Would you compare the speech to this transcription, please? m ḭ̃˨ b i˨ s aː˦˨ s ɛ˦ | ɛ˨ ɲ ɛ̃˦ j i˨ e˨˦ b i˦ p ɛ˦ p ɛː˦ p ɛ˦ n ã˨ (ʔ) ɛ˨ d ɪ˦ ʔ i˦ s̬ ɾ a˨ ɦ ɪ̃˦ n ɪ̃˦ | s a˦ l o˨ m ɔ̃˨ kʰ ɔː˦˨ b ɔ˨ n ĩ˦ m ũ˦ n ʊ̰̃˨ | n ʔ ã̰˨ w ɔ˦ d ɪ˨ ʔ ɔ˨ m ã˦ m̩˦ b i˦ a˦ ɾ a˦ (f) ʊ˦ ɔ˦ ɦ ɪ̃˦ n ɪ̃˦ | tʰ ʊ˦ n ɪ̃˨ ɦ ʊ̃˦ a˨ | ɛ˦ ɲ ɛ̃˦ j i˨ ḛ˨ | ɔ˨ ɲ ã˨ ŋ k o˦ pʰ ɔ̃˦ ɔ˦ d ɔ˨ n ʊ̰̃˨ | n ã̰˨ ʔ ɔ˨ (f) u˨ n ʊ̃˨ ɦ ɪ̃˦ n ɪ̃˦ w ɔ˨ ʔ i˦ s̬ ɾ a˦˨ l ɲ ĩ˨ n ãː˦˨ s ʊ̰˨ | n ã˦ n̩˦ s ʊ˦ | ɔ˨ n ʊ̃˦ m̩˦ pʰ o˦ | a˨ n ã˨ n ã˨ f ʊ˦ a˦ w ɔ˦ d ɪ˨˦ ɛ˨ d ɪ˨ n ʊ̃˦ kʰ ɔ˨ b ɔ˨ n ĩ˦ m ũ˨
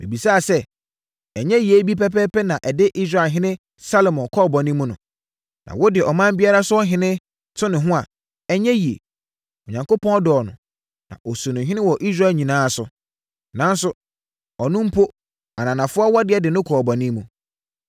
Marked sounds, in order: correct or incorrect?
correct, incorrect, incorrect

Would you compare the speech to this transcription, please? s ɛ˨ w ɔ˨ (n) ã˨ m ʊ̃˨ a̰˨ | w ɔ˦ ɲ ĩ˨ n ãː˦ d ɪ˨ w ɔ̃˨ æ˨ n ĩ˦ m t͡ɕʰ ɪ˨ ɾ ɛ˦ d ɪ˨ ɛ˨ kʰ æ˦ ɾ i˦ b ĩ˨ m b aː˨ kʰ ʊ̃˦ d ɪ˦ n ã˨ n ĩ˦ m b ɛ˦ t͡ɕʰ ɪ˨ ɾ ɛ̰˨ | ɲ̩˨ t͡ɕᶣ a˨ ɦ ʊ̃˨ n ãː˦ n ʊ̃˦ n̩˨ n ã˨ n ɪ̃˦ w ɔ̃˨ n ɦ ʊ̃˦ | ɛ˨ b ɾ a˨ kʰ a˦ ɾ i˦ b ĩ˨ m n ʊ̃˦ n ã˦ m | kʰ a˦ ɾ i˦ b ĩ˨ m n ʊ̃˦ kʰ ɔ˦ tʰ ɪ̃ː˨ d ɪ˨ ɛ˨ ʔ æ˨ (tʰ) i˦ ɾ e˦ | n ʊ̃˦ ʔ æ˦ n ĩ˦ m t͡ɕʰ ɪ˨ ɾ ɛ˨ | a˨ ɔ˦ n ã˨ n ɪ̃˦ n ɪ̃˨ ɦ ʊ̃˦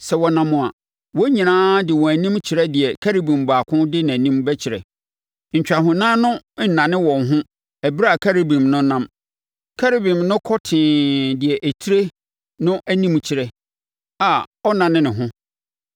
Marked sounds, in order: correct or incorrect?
correct, correct

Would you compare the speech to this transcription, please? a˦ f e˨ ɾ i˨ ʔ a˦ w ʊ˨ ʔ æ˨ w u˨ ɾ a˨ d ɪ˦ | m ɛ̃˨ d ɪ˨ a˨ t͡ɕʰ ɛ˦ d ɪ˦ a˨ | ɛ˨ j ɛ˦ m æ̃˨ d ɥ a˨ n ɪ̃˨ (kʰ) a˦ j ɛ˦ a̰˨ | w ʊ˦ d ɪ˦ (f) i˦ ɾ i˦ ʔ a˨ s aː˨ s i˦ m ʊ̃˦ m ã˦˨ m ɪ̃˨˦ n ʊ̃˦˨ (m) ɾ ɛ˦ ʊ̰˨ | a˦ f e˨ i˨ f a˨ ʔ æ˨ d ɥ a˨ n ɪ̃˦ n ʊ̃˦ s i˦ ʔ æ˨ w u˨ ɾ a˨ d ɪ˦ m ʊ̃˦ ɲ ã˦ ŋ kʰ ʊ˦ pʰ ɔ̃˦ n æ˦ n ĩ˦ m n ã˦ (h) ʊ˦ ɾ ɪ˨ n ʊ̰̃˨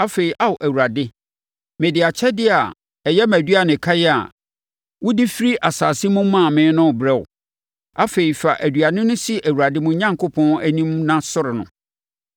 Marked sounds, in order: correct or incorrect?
correct, correct, incorrect, incorrect

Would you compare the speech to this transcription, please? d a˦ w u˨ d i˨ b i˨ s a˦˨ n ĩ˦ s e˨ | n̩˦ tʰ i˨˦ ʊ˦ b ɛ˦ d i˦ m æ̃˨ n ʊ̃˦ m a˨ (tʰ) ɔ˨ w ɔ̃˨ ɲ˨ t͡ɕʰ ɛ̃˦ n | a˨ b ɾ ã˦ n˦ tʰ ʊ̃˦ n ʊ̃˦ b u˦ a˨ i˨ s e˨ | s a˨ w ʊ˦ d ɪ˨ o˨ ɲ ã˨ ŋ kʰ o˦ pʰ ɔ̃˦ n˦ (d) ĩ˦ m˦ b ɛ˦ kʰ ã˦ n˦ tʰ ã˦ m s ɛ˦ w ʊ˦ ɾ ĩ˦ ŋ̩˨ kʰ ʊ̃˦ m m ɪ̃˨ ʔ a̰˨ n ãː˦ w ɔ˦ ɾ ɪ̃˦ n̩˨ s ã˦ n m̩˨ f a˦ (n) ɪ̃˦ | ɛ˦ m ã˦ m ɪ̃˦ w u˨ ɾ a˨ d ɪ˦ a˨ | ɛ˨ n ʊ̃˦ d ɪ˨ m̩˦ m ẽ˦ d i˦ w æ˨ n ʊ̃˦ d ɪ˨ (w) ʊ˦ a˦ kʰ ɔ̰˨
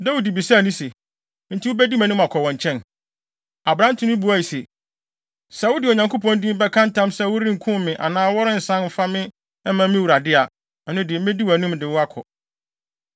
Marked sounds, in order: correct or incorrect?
incorrect, correct, incorrect, correct

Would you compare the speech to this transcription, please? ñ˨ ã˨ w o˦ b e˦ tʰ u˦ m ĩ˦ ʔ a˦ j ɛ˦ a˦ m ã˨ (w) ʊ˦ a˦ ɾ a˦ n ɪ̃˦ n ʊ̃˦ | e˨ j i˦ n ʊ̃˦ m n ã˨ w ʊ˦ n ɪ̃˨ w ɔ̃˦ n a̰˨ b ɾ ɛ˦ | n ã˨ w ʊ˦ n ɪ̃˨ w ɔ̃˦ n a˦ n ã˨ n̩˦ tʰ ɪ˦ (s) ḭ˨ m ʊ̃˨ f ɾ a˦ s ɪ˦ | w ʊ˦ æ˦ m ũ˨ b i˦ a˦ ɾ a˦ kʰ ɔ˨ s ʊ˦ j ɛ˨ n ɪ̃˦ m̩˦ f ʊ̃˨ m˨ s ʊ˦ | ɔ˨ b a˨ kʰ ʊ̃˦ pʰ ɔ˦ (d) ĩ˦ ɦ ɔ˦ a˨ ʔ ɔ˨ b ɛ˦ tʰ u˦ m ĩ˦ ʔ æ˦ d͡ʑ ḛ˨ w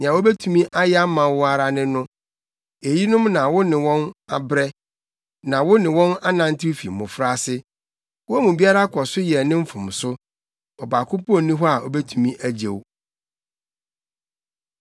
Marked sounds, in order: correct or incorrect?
correct, incorrect, incorrect

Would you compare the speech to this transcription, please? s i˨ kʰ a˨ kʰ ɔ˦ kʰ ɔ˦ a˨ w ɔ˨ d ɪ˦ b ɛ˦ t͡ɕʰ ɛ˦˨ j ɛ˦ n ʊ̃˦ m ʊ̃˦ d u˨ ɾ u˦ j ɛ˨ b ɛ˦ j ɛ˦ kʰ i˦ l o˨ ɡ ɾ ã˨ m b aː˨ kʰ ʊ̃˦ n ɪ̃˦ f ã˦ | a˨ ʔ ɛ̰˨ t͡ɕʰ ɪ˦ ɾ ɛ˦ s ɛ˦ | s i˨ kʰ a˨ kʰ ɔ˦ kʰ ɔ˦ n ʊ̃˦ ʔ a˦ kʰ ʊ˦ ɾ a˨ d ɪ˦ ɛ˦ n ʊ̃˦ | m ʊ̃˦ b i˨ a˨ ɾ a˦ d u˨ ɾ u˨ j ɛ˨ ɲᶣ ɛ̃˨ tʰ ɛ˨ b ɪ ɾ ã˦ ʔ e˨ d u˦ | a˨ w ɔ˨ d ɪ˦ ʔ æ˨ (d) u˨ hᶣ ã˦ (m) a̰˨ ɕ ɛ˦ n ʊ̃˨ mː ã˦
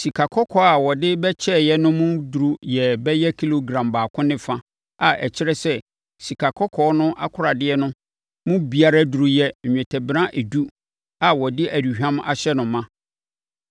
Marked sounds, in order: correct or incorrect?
correct, correct

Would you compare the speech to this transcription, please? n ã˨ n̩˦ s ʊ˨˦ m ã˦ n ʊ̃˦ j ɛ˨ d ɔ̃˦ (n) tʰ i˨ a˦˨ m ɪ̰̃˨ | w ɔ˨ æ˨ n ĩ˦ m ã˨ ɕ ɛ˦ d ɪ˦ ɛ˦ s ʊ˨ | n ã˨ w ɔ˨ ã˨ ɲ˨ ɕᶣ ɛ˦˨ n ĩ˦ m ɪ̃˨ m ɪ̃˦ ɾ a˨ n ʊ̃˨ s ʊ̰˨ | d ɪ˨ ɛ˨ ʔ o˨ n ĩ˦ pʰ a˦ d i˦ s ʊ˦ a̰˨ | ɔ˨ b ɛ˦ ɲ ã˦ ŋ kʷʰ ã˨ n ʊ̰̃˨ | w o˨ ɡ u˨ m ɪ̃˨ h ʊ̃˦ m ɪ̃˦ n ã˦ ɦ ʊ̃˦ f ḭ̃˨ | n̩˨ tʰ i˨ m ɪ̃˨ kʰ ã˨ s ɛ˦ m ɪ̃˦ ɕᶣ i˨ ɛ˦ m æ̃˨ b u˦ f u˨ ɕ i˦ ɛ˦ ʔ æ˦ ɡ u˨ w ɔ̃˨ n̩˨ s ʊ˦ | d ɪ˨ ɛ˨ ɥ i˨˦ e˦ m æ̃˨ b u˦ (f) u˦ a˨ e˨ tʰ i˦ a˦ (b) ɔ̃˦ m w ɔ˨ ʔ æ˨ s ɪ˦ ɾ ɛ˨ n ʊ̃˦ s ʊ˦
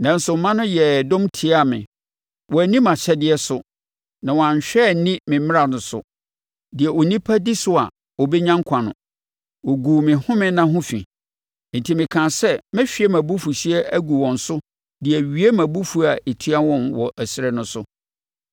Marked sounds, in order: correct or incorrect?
incorrect, correct, incorrect

